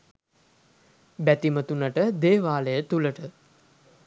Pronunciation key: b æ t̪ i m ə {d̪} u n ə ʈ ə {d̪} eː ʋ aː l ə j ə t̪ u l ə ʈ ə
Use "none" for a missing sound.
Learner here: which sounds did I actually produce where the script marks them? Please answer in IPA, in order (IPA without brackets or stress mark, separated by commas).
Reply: t̪, d̪